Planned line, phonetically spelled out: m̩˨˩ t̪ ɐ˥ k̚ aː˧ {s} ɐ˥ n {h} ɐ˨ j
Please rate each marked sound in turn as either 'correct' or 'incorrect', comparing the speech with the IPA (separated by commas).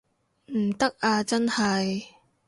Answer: incorrect, correct